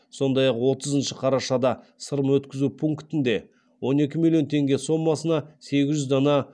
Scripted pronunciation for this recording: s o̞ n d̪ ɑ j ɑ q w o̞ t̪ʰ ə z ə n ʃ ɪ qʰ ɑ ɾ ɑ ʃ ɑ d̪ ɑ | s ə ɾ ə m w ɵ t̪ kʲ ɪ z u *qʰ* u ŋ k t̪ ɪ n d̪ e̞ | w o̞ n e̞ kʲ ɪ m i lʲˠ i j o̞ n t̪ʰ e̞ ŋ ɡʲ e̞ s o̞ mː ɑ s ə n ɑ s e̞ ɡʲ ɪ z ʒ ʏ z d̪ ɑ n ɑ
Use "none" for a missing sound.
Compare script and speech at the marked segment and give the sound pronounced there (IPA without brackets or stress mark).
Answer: pʰ